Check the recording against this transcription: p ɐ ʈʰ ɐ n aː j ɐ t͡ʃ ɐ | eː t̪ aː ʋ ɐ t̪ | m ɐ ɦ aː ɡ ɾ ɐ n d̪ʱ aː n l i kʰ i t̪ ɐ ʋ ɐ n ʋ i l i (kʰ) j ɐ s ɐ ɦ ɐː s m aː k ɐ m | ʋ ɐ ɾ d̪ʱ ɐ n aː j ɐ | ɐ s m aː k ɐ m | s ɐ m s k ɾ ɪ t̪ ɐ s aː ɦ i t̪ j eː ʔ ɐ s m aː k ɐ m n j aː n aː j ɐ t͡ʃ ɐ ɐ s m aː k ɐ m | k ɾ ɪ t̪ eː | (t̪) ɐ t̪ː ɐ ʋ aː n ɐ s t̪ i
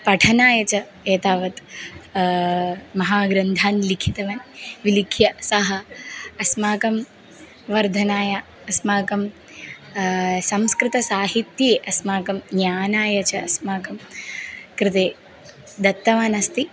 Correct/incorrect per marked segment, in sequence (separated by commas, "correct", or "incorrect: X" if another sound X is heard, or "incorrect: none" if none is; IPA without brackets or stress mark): correct, incorrect: d̪